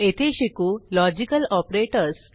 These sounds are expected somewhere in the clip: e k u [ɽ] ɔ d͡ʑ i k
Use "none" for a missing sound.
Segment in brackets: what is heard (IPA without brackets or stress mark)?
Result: l